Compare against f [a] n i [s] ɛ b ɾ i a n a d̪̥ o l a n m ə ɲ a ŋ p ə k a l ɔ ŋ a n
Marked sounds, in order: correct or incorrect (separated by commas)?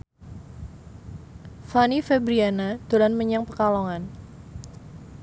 correct, incorrect